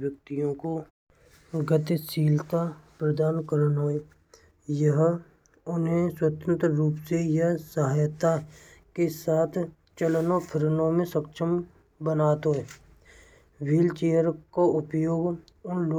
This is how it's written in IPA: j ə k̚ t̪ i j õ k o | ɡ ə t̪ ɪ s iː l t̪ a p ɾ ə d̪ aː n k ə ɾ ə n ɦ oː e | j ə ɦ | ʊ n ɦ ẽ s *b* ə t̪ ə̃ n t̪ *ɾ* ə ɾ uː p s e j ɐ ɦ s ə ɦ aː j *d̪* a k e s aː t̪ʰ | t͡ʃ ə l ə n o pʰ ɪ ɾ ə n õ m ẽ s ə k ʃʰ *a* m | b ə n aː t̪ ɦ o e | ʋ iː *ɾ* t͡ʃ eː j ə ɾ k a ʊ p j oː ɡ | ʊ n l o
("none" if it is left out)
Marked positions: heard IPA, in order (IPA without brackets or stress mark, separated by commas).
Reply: w, ɾ, t̪, ə, l